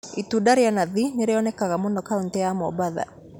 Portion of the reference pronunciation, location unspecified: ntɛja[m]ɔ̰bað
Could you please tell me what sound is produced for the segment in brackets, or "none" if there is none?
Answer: m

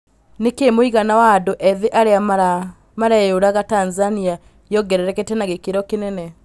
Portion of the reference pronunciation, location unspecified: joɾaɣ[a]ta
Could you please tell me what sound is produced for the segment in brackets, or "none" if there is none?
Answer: a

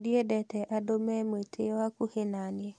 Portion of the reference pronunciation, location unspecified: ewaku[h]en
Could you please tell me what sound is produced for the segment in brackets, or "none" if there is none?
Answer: h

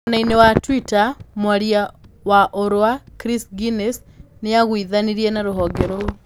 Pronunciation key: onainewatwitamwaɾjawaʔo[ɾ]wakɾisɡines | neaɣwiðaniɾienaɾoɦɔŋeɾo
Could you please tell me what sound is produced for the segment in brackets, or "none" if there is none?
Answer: ɾ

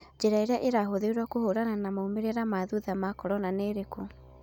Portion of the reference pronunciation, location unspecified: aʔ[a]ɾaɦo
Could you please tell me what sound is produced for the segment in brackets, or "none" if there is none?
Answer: e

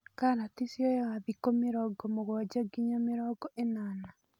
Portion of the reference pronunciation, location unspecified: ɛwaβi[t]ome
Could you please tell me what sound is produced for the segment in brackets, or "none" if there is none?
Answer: k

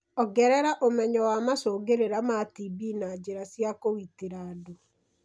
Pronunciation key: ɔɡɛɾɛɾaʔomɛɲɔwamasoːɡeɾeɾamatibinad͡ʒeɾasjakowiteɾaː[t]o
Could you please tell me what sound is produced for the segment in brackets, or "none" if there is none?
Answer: d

